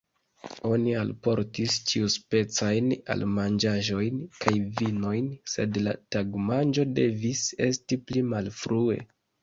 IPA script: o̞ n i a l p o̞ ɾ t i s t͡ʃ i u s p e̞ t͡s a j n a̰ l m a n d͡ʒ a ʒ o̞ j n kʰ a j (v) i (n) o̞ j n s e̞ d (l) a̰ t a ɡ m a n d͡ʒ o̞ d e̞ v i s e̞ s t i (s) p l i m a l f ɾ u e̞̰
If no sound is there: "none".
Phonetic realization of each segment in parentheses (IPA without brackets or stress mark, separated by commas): v, n, l, none